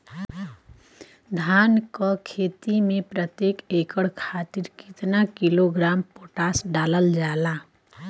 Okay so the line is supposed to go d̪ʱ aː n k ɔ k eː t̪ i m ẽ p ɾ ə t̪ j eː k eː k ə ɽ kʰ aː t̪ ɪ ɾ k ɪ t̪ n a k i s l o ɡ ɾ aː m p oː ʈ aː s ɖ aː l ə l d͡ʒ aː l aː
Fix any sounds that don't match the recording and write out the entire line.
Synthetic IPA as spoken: d̪ʱ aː n k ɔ kʰ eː t̪ i m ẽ p ɾ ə t̪ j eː k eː k ə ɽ kʰ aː t̪ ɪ ɾ k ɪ t̪ n a k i l o ɡ ɾ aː m p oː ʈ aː s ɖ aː l ə l d͡ʒ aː l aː